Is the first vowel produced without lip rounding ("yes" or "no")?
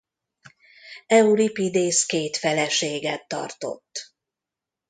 yes